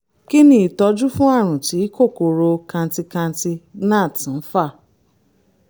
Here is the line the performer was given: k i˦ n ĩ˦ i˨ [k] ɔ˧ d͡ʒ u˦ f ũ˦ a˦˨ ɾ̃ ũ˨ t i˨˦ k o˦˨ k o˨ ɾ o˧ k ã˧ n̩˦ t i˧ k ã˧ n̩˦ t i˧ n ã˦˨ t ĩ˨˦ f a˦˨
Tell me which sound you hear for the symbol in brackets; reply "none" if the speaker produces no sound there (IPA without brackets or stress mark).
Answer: t